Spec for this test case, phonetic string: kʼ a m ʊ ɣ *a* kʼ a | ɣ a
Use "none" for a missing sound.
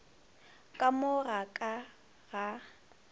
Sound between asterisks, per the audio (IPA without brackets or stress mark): a